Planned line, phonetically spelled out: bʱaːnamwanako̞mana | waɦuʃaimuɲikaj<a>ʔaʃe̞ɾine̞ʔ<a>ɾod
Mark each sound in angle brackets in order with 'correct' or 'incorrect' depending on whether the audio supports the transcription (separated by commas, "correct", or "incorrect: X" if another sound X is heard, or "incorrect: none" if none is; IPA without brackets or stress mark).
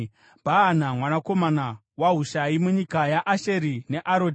correct, correct